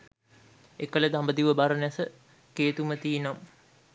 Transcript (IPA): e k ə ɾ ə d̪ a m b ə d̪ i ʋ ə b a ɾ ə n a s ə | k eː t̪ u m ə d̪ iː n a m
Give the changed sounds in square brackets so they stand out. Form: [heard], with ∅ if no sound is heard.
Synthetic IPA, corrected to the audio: e k ə [l] ə d̪ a m b ə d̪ i ʋ ə b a ɾ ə n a s ə | k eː t̪ u m ə [t̪] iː n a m